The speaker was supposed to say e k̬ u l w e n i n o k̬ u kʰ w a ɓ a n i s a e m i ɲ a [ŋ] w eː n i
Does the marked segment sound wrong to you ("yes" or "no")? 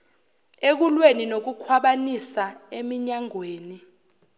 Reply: no